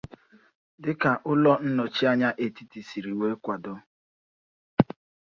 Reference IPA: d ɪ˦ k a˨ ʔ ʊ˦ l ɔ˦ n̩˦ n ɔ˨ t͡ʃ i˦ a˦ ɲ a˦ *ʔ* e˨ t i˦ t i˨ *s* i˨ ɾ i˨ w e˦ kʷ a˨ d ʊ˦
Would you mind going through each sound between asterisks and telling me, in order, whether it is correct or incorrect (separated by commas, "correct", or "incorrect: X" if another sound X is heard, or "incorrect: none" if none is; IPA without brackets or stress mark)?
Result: correct, correct